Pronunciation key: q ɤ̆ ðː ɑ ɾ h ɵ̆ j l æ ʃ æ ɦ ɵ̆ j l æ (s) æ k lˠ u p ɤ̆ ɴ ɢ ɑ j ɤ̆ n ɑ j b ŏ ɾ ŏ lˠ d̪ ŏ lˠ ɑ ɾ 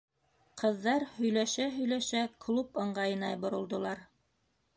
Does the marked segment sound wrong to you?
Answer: yes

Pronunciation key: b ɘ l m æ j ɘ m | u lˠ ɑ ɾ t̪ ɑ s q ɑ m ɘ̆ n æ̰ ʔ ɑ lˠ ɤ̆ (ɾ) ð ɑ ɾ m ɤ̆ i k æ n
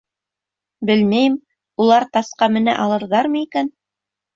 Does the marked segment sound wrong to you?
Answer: no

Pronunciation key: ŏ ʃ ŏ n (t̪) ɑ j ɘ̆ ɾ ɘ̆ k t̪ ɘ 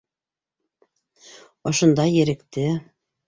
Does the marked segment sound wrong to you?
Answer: yes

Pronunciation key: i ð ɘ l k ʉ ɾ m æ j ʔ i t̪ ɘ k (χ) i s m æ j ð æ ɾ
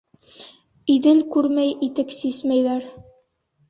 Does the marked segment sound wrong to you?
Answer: yes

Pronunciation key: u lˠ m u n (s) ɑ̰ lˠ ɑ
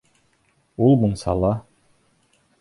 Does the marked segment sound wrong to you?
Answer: no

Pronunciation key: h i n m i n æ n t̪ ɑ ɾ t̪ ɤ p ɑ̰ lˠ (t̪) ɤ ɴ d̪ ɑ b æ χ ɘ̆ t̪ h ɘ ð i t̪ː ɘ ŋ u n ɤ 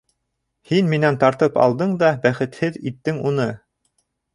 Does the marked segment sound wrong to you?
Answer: yes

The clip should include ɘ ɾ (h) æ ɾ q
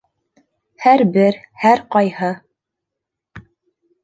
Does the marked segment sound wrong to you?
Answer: no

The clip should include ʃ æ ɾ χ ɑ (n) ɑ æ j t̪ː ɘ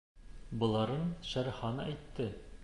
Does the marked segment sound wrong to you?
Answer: no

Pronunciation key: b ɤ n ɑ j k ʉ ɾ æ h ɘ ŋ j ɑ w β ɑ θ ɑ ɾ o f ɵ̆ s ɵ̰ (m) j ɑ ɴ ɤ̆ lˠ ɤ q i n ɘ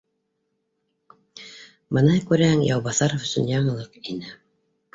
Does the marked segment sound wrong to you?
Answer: yes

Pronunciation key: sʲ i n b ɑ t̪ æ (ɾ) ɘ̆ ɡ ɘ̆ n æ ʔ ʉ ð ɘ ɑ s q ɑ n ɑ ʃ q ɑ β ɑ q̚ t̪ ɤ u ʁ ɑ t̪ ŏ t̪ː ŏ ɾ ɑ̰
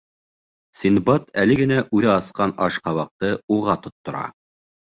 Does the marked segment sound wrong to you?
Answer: yes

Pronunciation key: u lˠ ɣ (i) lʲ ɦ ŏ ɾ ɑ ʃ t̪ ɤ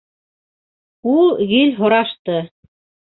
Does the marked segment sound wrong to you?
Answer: no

